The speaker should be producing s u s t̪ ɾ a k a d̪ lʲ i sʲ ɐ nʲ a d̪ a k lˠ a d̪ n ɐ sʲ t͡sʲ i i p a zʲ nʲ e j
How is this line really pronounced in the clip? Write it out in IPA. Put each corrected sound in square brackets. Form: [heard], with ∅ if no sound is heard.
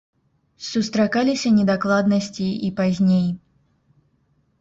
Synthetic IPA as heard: s u s t̪ ɾ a k a [∅] lʲ i sʲ ɐ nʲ [ɛ] d̪ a k lˠ a d̪ n ɐ sʲ t͡sʲ i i p a zʲ nʲ e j